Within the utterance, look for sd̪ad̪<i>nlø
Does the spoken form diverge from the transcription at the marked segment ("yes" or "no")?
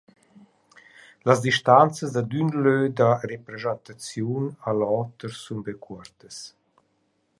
yes